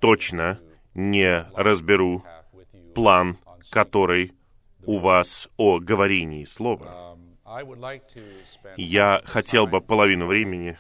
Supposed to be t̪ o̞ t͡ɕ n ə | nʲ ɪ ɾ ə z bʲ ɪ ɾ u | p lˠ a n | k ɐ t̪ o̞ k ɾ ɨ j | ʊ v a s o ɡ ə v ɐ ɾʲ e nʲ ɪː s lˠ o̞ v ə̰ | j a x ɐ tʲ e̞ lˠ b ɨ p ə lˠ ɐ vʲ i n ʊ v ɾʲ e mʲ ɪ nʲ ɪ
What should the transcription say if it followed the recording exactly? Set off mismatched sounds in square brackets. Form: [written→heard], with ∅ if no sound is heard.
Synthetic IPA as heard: t̪ o̞ t͡ɕ n ə | nʲ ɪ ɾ ə z bʲ ɪ ɾ u | p lˠ a n | k ɐ t̪ o̞ [k→∅] ɾ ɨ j | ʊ v a s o ɡ ə v ɐ ɾʲ e nʲ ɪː s lˠ o̞ v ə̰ | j a x ɐ tʲ e̞ lˠ b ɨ p ə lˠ ɐ vʲ i n ʊ v ɾʲ e mʲ ɪ nʲ ɪ